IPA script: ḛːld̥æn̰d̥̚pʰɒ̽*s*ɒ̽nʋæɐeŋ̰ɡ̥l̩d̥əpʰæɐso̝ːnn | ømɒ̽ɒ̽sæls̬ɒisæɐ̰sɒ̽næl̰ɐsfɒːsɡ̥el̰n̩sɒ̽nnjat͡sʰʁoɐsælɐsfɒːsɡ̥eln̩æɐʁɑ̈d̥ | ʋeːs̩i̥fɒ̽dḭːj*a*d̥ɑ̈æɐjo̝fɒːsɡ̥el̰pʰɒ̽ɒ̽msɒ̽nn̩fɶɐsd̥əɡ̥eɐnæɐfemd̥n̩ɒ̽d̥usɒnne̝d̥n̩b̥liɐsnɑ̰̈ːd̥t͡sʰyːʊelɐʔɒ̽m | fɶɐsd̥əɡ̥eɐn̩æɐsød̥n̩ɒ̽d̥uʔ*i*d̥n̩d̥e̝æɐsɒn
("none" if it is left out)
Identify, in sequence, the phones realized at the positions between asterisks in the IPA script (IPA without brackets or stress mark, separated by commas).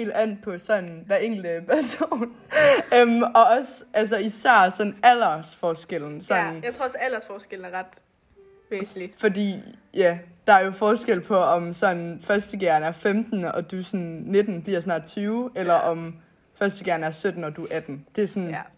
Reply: s, æ, æ